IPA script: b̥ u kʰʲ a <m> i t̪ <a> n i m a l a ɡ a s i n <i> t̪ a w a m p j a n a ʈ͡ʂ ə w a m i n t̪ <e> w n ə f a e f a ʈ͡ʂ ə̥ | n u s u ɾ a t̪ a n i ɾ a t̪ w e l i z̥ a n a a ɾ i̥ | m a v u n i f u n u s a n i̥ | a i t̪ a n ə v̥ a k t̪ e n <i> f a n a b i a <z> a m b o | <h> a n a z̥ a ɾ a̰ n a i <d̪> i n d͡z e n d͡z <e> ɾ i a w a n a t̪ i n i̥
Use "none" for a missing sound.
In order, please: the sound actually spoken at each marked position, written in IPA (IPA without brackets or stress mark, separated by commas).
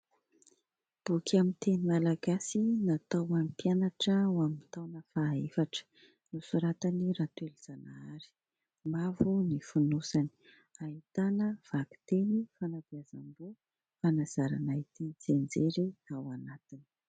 m, e, a, a, i, z, f, t̪, e